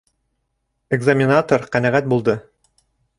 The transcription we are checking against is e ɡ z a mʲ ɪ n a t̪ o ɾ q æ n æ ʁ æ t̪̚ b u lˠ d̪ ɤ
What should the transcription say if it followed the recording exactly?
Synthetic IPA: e ɡ z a mʲ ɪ n a t̪ o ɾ q æ n æ ʁ æ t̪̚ b u lˠ d̪ ɤ